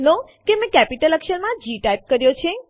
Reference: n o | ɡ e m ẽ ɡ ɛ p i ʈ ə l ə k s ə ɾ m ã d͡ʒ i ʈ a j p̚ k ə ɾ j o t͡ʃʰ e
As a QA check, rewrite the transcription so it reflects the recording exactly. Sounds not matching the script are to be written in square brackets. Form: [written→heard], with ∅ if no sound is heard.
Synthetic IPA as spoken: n o | [ɡ→k] e m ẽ [ɡ→k] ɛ p i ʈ ə l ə k [s→ʃ] ə ɾ m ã d͡ʒ i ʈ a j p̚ k ə ɾ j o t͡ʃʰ e

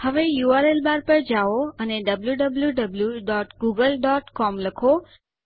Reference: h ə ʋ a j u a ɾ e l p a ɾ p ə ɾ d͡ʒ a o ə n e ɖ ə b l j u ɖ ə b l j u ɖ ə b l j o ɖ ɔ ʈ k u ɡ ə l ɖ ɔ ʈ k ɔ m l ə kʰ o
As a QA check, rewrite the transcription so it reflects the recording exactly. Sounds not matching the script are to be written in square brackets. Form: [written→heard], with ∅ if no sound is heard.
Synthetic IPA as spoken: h ə ʋ [a→e] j u a ɾ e l [p→b] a ɾ p ə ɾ d͡ʒ a o ə n e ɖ ə b l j u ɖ ə b l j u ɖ ə b l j [o→u] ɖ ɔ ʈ [k→ɡ] u ɡ ə l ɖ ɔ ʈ k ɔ m l ə kʰ o

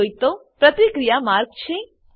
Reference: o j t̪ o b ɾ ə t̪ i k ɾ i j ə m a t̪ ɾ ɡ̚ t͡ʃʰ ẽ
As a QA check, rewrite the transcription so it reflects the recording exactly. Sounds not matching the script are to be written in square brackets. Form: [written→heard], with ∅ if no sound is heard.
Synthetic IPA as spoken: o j t̪ o [b→p] ɾ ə t̪ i k ɾ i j [ə→a] m a [t̪→∅] ɾ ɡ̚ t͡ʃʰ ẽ

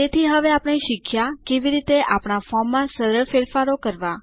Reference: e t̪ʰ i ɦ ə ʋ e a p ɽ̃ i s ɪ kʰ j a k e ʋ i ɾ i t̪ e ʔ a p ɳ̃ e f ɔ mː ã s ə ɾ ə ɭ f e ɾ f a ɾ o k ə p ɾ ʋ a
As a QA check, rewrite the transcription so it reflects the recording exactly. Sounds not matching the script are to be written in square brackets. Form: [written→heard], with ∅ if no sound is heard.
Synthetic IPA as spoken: e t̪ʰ i ɦ ə ʋ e a p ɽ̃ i [s→ʃ] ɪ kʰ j a k e ʋ i ɾ i t̪ e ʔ a p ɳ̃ [e→a] f ɔ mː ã s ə ɾ ə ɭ f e ɾ f a ɾ o k ə [p→∅] ɾ ʋ a

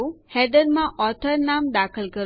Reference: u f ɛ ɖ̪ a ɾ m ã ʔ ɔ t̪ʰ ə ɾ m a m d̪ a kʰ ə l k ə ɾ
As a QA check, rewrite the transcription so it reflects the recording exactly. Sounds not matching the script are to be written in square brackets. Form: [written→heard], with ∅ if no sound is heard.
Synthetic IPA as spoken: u [f→h] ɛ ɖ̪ [a→ə] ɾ m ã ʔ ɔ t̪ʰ ə ɾ [m→n] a m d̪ a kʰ ə l k ə ɾ

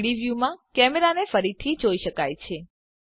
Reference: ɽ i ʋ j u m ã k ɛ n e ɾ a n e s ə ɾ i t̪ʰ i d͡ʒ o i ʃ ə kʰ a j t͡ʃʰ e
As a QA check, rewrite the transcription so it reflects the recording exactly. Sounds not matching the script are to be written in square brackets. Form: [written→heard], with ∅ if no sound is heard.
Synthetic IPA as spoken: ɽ i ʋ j u m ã k ɛ [n→m] e ɾ a n e [s→f] ə ɾ i t̪ʰ i d͡ʒ o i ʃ ə [kʰ→k] a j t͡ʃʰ e

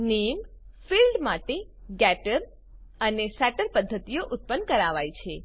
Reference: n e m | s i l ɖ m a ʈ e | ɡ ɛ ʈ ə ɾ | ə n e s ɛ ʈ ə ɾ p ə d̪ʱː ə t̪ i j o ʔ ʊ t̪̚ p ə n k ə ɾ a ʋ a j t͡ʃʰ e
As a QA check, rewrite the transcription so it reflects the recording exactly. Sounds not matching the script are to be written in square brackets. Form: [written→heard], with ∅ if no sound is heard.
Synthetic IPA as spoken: n e m | [s→f] i l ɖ m a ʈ e | ɡ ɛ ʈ ə ɾ | ə n e s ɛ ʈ ə ɾ p ə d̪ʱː ə t̪ i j o ʔ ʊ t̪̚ p ə n k ə ɾ a ʋ a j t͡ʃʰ e

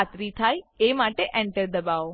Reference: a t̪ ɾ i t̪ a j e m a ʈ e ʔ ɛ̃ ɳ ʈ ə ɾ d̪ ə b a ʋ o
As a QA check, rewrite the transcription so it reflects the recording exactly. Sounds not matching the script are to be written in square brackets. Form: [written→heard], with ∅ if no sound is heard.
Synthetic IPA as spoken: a t̪ ɾ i [t̪→t̪ʰ] a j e m a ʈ e ʔ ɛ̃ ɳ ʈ ə ɾ d̪ ə b a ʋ o

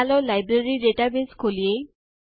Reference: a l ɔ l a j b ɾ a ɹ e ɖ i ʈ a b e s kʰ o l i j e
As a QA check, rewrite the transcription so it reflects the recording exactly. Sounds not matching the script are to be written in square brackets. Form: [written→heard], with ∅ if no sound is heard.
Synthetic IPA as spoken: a l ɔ l a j b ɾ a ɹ [e→i] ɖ [i→e] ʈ a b e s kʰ o l i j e

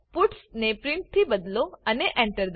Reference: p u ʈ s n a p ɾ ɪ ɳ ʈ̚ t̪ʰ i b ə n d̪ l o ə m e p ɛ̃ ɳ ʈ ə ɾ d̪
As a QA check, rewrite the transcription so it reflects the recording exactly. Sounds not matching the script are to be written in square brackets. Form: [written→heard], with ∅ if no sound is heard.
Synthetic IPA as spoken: p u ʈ s n [a→e] p ɾ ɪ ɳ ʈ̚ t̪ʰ i b ə [n→∅] d̪ l o ə [m→n] e [p→ʔ] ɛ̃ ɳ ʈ ə ɾ d̪

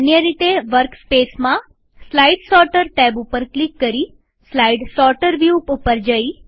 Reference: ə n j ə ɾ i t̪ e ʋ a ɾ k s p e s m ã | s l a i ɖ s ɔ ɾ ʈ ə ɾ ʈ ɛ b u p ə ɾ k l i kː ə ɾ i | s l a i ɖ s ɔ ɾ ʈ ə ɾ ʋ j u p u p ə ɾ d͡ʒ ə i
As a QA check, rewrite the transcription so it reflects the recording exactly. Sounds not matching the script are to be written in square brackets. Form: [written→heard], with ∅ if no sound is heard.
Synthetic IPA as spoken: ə n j ə ɾ i t̪ e ʋ [a→ə] ɾ k s p e s m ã | s l a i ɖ s ɔ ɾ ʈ ə ɾ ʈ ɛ b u p ə ɾ k l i kː ə ɾ i | s l a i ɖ s ɔ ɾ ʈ ə ɾ ʋ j u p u p ə ɾ d͡ʒ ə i

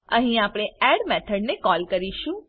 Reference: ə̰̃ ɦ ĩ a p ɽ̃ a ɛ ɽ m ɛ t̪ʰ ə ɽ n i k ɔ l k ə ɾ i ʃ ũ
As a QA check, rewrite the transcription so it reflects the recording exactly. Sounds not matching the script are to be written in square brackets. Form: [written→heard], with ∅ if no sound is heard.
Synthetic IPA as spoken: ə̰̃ ɦ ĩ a p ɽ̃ [a→e] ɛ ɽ m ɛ t̪ʰ ə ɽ n [i→e] k ɔ l k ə ɾ i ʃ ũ

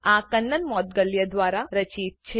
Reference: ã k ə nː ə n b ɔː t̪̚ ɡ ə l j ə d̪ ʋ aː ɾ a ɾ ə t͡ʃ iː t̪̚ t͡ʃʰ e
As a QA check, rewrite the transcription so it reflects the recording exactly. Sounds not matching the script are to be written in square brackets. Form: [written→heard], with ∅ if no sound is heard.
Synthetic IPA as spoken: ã k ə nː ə n [b→m] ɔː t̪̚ ɡ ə l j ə d̪ ʋ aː ɾ a ɾ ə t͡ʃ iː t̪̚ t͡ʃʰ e

